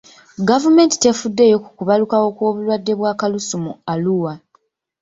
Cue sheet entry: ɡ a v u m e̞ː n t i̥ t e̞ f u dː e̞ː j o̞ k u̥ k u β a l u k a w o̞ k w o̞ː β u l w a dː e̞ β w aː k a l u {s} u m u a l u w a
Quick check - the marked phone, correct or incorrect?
correct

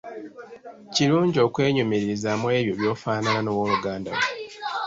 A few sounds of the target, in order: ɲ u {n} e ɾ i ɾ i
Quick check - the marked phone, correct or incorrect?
incorrect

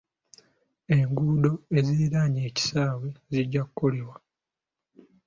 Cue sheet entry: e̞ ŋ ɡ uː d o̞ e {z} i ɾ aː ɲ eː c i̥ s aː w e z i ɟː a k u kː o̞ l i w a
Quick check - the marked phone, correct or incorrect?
correct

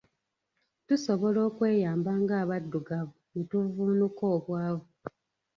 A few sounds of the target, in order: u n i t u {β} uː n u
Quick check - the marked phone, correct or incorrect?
incorrect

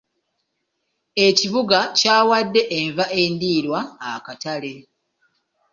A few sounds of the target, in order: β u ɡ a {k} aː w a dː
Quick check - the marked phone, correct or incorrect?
incorrect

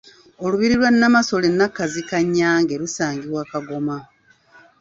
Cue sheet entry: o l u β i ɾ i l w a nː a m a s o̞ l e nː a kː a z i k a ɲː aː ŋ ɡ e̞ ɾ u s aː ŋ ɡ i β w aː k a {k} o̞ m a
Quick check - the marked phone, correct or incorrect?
incorrect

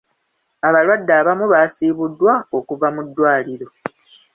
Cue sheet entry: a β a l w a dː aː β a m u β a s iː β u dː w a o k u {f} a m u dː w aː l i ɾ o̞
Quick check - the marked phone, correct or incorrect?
incorrect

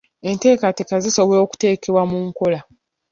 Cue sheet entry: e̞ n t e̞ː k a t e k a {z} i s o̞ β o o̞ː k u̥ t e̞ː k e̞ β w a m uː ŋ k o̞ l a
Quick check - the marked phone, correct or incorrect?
correct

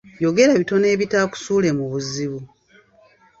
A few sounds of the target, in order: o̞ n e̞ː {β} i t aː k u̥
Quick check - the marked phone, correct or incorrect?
correct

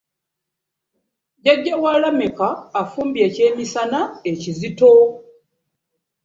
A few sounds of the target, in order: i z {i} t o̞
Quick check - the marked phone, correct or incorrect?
correct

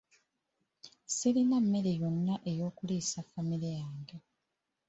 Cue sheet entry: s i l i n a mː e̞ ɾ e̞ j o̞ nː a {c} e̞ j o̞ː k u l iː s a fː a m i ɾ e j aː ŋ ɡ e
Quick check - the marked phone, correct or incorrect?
incorrect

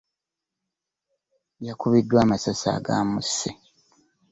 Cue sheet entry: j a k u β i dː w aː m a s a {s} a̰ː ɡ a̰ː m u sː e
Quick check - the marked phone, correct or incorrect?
correct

